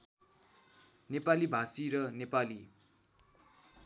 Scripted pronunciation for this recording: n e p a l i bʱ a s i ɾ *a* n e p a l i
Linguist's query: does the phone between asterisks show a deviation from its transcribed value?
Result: yes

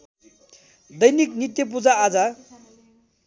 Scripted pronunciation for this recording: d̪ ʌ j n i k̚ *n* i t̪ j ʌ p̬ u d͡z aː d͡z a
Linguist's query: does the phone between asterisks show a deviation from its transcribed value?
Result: no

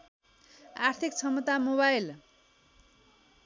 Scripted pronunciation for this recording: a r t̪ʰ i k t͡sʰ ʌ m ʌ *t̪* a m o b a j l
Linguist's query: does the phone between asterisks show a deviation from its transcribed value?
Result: no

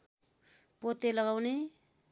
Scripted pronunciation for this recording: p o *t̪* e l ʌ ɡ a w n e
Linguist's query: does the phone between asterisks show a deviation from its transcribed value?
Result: no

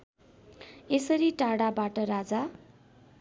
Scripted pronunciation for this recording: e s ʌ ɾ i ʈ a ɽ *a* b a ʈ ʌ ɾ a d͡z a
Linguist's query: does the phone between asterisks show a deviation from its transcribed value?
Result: no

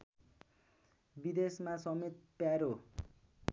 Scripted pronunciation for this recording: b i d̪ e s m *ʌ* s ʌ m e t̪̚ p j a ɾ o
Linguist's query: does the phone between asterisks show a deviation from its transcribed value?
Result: yes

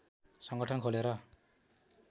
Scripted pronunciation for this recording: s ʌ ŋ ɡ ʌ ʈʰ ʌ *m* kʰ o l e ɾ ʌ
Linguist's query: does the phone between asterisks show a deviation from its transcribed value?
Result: yes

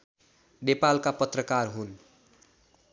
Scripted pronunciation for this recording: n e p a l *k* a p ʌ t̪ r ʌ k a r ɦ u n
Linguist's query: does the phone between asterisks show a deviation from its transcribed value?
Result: no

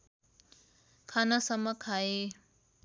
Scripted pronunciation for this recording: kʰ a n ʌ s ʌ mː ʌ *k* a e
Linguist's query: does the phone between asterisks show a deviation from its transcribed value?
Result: yes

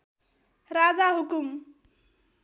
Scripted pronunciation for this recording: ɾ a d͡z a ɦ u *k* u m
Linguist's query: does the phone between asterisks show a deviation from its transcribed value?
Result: no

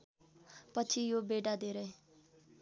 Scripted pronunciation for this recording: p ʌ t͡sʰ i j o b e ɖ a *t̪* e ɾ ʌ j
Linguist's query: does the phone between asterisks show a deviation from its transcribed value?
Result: yes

